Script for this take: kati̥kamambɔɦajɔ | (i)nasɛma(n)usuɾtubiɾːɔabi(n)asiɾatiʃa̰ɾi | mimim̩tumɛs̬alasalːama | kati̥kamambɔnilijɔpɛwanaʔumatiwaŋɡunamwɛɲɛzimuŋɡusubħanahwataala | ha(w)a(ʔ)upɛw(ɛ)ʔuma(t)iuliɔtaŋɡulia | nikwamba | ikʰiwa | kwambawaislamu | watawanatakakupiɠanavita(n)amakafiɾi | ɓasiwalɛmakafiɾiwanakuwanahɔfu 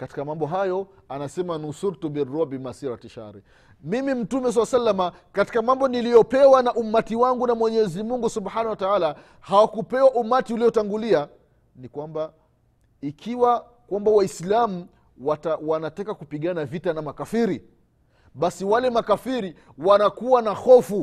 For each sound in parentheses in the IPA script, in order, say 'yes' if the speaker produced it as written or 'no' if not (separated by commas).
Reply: no, yes, no, yes, no, no, yes, yes